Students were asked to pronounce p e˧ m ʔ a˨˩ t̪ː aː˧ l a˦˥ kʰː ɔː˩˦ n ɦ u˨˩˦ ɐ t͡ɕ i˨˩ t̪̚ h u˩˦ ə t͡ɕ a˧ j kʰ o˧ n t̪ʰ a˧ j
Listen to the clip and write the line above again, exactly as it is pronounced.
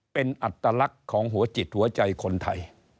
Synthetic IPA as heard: p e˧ n ʔ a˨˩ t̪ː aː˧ l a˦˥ kʰː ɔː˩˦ ŋ ɦ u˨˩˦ ɐ t͡ɕ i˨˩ t̪̚ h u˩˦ ɐ t͡ɕ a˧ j kʰ o˧ n t̪ʰ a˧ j